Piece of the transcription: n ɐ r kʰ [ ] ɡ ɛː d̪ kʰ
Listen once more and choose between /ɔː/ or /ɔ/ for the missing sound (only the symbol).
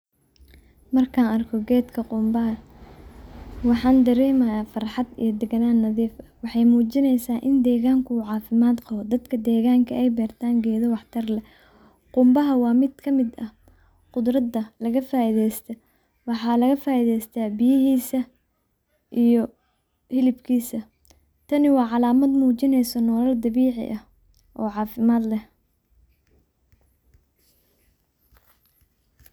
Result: ɔ